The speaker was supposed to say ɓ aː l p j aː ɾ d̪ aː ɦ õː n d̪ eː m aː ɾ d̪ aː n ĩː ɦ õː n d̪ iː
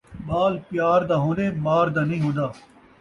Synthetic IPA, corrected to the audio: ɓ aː l p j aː ɾ d̪ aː ɦ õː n d̪ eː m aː ɾ d̪ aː n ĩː ɦ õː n d̪ aː